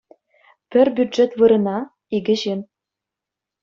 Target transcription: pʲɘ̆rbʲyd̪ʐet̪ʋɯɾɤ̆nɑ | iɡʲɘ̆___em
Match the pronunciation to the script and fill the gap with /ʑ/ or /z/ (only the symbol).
ʑ